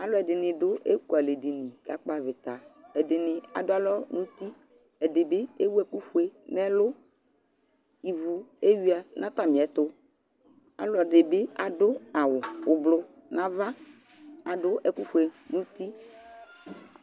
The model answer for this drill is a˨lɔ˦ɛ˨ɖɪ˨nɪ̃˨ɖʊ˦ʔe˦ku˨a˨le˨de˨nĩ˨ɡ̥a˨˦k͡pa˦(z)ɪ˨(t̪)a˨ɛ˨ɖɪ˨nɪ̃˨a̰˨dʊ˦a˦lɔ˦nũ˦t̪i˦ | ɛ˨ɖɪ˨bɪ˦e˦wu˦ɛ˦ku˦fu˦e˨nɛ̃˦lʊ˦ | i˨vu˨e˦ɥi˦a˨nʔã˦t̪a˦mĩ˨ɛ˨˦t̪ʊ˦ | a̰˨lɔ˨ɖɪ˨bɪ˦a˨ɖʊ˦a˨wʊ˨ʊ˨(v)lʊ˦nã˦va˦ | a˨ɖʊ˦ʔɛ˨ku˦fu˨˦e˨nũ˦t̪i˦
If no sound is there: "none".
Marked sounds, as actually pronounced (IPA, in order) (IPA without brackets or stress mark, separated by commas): v, t̪, b